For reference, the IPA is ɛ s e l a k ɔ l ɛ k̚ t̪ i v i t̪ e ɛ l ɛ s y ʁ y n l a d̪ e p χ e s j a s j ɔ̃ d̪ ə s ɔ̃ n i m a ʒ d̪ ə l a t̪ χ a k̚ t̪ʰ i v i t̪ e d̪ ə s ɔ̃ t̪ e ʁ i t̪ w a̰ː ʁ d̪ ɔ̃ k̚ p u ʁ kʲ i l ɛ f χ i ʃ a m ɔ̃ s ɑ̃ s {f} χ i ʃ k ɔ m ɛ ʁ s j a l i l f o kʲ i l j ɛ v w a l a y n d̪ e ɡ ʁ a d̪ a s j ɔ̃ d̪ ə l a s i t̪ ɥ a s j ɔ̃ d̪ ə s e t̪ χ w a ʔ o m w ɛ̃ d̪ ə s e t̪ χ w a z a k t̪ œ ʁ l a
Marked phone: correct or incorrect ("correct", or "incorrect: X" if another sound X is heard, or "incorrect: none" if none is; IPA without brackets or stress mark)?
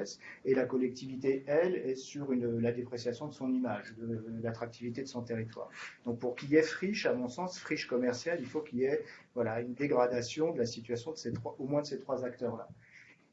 correct